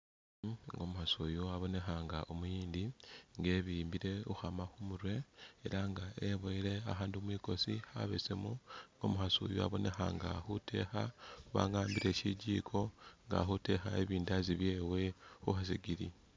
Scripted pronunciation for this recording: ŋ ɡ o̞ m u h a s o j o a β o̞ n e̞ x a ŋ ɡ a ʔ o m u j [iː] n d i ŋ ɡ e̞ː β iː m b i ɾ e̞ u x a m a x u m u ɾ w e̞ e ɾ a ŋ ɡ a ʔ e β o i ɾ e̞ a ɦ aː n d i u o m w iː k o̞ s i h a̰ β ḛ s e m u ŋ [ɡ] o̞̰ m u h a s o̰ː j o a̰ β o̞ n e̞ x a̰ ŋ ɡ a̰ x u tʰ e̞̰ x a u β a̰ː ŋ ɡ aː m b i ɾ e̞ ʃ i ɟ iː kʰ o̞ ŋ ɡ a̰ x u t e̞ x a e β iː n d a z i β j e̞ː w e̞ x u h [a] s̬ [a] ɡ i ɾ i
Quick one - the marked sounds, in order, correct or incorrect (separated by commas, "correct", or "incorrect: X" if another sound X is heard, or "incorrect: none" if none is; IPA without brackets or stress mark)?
correct, correct, correct, incorrect: i